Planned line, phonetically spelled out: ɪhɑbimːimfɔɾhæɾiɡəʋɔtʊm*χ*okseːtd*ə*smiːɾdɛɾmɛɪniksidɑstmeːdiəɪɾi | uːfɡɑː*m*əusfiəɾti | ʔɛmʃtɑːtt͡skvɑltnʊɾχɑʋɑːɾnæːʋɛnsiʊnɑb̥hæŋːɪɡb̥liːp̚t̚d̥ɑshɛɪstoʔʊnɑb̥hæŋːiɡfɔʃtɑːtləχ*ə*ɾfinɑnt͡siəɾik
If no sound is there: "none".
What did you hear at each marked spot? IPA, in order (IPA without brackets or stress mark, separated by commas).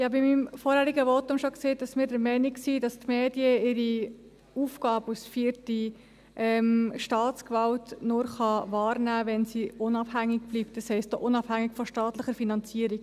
ʃ, ɑ, b, ə